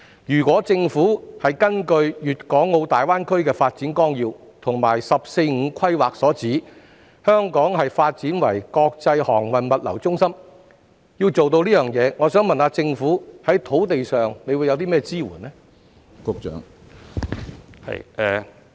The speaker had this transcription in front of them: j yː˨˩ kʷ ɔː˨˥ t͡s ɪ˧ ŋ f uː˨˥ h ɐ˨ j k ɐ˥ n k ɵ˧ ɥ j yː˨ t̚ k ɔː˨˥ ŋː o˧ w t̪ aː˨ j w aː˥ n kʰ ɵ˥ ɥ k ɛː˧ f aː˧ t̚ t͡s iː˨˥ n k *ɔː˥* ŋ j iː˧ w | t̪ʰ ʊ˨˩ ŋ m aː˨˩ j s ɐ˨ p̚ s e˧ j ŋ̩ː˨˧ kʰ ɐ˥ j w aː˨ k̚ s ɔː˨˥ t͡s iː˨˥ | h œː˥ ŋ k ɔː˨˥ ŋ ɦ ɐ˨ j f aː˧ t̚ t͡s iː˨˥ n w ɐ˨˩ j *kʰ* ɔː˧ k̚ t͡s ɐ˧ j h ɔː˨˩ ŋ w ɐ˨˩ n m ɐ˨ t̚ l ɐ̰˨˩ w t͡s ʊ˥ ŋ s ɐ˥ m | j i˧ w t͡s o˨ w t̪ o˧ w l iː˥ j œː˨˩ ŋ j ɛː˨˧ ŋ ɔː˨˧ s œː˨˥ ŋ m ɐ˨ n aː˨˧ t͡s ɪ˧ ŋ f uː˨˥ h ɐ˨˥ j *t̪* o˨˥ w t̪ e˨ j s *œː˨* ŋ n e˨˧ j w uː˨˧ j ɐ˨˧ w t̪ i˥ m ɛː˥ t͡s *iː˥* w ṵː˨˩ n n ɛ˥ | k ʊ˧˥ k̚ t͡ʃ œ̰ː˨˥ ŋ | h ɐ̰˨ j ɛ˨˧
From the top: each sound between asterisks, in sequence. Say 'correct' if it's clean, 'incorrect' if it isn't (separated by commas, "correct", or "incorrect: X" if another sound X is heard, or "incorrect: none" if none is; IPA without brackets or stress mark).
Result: correct, incorrect: k, incorrect: t̪ʰ, correct, correct